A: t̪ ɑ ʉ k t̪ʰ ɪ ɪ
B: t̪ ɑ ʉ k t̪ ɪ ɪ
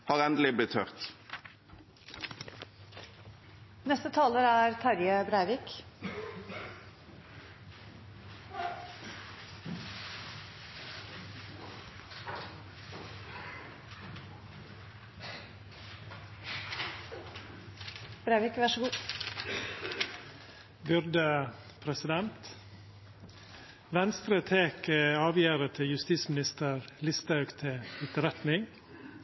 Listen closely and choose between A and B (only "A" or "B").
A